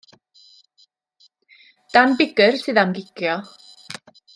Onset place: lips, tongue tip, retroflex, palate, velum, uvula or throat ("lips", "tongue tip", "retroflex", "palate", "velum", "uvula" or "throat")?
tongue tip